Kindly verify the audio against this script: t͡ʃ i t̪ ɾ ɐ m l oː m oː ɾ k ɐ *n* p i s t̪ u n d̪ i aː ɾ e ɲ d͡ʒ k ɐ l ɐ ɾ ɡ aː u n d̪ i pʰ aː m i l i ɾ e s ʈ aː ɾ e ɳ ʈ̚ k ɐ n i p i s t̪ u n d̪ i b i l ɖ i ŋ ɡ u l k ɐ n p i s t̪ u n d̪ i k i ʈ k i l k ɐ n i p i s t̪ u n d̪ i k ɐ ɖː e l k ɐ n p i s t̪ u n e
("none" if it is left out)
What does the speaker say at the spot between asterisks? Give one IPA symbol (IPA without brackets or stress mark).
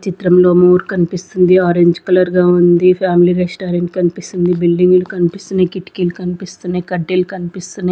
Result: n